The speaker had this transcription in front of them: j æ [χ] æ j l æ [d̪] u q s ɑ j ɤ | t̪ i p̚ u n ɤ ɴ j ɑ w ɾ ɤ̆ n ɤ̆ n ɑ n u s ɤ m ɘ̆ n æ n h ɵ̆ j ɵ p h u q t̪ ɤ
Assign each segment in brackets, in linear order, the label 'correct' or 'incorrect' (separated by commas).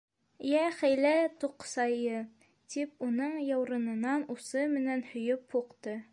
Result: correct, incorrect